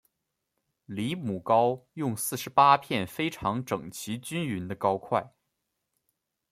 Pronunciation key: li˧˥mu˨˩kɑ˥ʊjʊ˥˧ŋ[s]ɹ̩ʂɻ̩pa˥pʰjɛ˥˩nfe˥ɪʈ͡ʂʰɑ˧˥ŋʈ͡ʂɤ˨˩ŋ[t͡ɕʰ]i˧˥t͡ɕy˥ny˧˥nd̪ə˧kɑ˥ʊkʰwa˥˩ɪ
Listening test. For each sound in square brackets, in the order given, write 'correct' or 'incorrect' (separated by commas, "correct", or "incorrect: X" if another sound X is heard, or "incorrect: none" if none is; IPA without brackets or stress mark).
correct, correct